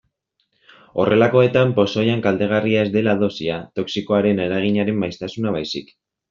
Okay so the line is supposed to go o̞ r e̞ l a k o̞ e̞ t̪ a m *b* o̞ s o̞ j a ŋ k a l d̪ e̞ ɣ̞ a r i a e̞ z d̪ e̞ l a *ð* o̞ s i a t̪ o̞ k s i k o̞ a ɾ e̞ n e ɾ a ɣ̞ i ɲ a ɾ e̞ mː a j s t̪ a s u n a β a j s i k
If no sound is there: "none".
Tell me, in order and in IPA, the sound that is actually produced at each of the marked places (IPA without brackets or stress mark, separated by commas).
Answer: p, ð